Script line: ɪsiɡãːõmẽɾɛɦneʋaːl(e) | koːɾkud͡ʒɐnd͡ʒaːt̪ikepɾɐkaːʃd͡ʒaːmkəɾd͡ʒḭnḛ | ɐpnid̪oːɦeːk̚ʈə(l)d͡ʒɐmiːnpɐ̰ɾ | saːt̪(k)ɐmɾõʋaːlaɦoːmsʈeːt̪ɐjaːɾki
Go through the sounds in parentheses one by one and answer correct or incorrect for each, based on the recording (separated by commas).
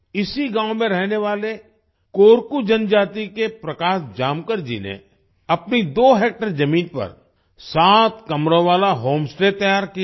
correct, incorrect, correct